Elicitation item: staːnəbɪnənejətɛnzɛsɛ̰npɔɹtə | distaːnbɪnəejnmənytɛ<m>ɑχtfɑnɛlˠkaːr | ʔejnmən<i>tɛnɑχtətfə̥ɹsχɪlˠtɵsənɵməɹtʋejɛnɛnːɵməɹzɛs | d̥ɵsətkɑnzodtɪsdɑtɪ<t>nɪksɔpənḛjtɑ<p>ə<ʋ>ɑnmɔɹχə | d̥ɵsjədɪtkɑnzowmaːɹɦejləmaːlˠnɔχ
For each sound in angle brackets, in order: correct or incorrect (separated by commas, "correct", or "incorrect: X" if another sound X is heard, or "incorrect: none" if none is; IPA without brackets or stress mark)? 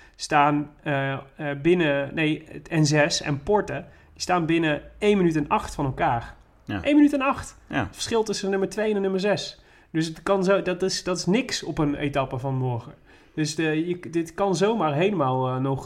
incorrect: n, incorrect: y, incorrect: s, correct, incorrect: v